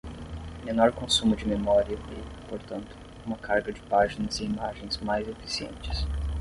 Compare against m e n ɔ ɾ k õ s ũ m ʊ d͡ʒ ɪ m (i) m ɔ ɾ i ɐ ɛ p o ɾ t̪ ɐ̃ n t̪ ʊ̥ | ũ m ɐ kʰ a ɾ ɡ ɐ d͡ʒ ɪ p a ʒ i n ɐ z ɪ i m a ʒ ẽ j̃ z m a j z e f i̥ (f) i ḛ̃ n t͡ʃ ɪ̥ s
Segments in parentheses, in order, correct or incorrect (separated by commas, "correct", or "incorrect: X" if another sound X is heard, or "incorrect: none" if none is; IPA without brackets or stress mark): incorrect: e, incorrect: s